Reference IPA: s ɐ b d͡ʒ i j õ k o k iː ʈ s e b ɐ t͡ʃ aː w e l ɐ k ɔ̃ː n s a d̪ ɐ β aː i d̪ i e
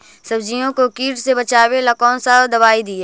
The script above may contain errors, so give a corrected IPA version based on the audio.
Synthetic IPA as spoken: s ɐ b d͡ʒ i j õ k o k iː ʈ s e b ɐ t͡ʃ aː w e l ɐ k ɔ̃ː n s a d̪ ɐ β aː i d̪ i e

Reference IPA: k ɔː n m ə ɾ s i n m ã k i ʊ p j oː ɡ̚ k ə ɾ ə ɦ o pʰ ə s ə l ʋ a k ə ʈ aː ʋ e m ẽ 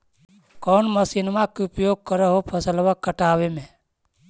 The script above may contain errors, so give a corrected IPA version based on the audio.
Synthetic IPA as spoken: k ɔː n m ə s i n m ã k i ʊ p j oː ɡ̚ k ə ɾ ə ɦ o pʰ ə s ə l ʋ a k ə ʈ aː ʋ e m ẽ

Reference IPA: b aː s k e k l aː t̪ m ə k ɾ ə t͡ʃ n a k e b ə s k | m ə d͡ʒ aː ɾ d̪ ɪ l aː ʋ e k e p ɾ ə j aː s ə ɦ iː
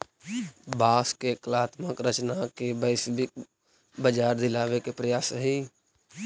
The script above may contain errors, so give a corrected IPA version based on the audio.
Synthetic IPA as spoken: b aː s k e k l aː t̪ m ə k ɾ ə t͡ʃ n a k e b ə s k | b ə d͡ʒ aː ɾ d̪ ɪ l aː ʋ e k e p ɾ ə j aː s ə ɦ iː

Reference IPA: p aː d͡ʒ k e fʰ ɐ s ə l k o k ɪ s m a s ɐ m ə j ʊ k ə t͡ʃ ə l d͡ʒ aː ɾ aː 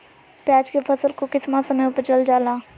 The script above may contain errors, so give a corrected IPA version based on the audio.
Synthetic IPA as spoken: p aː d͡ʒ k e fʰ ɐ s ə l k o k ɪ s m a s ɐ m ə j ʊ p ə t͡ʃ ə l d͡ʒ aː l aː

